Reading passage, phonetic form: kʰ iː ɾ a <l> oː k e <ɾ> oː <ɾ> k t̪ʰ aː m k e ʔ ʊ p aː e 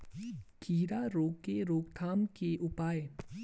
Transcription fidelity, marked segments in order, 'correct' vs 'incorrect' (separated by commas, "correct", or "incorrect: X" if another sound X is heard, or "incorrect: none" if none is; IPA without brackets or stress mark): incorrect: ɾ, correct, incorrect: none